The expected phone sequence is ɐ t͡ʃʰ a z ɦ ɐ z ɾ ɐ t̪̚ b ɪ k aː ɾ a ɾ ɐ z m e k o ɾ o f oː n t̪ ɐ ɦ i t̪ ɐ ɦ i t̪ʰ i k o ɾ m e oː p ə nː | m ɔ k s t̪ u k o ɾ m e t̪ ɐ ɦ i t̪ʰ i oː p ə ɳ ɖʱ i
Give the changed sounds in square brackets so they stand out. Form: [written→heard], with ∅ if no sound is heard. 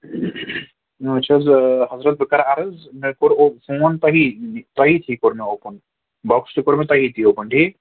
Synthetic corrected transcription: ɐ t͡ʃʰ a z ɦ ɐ z ɾ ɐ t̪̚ b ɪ k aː ɾ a ɾ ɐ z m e k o ɾ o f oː n t̪ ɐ ɦ i t̪ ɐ ɦ i t̪ʰ i k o ɾ m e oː p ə [nː→n] | [m→b] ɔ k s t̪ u k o ɾ m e t̪ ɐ ɦ i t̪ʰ i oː p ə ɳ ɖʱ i